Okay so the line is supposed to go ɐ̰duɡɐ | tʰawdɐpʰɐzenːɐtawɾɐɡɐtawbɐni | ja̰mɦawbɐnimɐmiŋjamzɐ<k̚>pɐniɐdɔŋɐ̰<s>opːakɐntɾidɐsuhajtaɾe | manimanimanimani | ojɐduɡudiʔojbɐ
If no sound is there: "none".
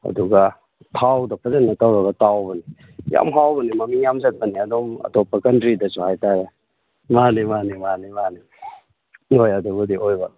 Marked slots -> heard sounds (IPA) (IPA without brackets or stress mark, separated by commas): t̚, t